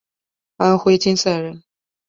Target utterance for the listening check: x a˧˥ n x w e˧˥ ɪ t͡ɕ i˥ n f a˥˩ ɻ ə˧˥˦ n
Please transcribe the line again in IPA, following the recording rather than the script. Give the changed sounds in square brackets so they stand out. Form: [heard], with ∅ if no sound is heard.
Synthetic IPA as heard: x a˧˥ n x w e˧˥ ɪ t͡ɕ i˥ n [s] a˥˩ ɻ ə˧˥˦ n